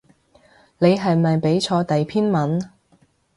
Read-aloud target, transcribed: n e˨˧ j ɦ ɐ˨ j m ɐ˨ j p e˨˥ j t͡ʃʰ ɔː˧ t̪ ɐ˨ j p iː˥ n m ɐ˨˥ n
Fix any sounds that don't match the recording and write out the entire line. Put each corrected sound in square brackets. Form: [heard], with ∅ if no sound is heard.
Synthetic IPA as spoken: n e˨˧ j ɦ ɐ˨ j m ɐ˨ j p e˨˥ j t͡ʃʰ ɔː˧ t̪ ɐ˨ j [pʰ] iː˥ n m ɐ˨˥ n